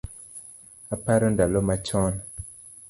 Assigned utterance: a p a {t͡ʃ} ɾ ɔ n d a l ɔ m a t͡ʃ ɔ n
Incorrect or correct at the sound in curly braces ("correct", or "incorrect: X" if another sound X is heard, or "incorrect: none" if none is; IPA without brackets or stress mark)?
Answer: incorrect: none